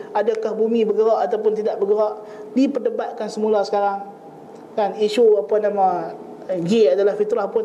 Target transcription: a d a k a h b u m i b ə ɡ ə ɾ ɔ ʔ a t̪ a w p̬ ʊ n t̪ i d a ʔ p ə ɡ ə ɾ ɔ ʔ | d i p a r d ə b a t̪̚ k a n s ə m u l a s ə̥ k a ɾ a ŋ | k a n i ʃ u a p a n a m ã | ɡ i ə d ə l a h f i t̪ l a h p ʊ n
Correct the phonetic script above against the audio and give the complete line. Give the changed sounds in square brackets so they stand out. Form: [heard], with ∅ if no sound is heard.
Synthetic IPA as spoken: a d a k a h b u m i b ə ɡ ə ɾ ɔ ʔ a t̪ a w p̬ ʊ n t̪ i d a ʔ [b] ə ɡ ə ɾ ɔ ʔ | d i p [ə] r d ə b a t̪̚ k a n s ə m u l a s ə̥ k a ɾ a ŋ | k a n i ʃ u a p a n a m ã | ɡ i [a] d [a] l a h f i t̪ [ɾ] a h p ʊ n